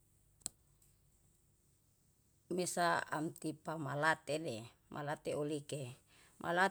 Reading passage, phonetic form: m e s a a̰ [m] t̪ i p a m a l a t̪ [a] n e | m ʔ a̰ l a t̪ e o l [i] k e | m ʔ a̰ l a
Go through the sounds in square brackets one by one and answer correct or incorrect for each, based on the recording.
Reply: correct, incorrect: e, correct

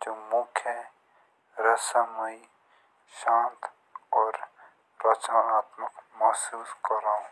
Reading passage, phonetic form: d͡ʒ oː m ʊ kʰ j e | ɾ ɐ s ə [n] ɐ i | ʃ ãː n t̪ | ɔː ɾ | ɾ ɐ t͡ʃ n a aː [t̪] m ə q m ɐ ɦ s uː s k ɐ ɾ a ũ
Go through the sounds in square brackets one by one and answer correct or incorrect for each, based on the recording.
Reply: incorrect: m, correct

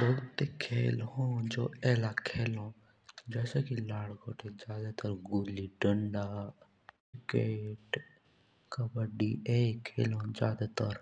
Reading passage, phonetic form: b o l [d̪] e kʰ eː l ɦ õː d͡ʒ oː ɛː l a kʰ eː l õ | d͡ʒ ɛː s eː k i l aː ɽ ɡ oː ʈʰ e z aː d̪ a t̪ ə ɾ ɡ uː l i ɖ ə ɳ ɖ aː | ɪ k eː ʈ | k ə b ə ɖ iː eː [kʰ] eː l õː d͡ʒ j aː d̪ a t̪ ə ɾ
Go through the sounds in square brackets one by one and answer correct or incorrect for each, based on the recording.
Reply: incorrect: t̪, correct

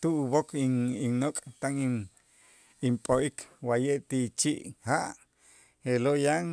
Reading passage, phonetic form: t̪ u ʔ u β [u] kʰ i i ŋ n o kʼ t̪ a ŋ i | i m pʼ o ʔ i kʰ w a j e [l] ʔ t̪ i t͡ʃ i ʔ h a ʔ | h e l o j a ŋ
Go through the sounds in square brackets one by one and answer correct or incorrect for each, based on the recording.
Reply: incorrect: o, incorrect: none

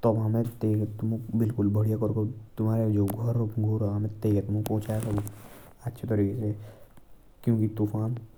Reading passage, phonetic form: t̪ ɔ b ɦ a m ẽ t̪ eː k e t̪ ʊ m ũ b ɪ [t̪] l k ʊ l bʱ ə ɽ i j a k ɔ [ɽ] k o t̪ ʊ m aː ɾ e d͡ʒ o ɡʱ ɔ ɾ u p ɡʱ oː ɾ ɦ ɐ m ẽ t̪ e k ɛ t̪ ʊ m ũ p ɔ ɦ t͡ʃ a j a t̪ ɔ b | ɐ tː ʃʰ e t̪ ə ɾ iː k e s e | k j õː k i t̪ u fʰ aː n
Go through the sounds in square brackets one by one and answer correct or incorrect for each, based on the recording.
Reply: incorrect: none, incorrect: ɾ

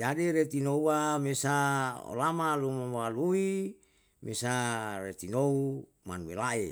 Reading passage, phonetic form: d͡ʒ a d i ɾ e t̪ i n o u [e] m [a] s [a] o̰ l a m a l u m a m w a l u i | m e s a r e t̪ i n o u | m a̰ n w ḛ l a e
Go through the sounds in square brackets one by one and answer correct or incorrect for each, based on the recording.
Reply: incorrect: a, incorrect: e, correct

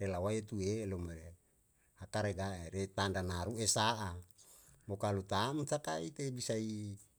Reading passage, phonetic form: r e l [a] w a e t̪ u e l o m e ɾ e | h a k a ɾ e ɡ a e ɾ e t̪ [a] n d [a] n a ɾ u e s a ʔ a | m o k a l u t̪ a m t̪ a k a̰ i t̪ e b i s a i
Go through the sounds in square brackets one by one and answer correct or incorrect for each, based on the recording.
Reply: correct, correct, correct

